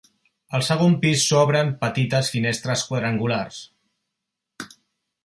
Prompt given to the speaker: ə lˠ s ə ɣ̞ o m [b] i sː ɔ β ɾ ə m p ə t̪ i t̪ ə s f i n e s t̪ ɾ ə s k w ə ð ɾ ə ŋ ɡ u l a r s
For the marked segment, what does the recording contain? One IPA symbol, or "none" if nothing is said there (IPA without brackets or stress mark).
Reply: p